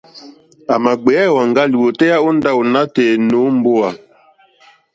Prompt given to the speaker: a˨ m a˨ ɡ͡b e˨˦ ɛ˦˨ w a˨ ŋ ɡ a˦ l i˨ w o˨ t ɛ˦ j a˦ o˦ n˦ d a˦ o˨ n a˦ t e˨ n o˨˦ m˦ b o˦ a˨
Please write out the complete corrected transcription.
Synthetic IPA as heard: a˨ m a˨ ɡ͡b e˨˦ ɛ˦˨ w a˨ ŋ ɡ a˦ l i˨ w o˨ t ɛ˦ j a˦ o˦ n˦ d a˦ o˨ n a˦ t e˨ n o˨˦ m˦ b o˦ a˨